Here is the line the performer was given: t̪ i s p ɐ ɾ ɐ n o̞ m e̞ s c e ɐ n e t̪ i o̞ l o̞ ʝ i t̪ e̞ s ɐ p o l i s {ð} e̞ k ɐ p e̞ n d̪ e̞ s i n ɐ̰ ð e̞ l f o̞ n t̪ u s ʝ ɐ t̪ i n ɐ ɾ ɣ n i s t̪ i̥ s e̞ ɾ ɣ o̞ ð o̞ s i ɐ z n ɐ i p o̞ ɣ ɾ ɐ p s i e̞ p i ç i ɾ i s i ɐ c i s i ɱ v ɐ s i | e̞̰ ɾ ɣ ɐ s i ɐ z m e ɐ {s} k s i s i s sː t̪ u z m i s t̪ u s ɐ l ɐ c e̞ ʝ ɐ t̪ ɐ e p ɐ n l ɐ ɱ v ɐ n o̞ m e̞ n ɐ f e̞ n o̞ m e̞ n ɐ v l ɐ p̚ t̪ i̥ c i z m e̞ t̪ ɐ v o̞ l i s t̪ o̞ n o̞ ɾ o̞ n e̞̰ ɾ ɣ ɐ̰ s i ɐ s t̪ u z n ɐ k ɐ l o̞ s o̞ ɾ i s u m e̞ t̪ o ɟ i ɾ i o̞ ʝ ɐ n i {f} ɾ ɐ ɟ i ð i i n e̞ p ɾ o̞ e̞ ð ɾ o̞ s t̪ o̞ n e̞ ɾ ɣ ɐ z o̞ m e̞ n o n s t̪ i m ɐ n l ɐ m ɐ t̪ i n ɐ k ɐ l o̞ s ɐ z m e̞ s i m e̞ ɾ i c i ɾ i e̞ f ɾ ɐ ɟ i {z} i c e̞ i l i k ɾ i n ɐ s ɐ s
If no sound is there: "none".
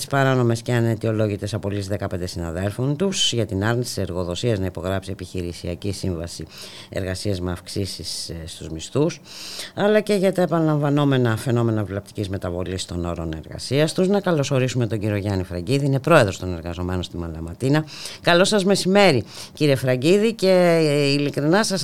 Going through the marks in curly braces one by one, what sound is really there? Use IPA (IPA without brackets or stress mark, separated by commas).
ð, f, f, ð